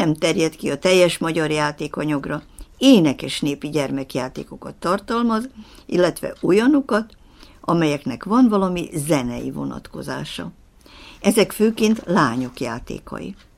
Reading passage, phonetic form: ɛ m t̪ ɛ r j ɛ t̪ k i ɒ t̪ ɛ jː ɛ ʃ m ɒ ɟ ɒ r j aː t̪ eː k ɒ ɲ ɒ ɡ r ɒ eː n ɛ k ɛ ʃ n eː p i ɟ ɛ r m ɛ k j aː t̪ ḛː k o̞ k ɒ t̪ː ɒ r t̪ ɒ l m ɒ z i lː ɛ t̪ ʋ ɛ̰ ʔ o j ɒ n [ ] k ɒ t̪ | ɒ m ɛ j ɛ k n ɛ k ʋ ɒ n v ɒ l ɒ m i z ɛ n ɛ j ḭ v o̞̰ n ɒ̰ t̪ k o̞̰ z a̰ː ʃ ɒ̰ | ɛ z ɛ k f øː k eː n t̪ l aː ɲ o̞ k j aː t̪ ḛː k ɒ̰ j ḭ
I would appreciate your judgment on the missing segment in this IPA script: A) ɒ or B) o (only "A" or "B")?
B